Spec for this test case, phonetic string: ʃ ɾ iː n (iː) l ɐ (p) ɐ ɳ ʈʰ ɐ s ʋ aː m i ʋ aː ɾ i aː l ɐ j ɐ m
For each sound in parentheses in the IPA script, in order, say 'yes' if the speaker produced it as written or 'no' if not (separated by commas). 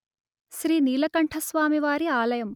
yes, no